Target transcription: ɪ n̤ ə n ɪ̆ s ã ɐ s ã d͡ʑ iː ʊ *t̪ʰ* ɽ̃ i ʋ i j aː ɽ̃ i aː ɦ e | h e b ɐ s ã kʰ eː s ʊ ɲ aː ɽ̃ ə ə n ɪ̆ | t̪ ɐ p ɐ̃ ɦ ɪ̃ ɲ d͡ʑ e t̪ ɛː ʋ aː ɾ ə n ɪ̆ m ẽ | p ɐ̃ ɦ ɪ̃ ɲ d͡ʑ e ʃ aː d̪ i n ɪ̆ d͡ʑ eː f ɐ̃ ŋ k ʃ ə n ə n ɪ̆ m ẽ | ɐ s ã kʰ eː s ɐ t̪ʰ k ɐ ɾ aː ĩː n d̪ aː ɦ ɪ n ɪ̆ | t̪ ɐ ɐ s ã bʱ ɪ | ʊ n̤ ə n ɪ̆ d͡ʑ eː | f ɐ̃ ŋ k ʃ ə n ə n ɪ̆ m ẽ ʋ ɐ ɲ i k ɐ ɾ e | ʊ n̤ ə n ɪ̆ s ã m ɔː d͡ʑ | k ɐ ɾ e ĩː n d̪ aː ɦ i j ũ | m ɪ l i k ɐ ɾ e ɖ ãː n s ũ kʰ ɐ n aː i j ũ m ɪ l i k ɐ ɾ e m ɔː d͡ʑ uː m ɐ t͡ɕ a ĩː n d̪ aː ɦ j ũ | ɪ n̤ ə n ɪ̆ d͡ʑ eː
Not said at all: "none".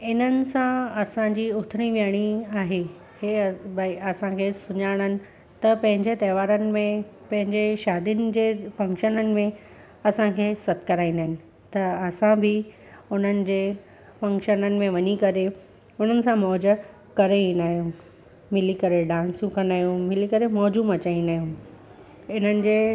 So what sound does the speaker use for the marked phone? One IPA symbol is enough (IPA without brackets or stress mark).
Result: t̪ʰ